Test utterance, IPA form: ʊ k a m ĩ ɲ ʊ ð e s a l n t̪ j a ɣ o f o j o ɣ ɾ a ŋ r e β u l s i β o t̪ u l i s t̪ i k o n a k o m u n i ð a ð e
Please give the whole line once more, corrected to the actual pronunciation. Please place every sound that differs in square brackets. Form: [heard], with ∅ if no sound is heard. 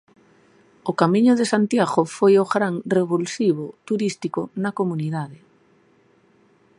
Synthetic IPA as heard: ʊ k a m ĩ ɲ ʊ ð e s a [∅] n t̪ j a ɣ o f o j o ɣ ɾ a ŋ r e β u l s i β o t̪ u [ɾ] i s t̪ i k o n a k o m u n i ð a ð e